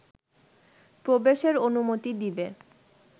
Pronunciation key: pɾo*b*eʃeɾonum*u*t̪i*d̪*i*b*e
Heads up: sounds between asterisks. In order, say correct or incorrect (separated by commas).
correct, incorrect, correct, correct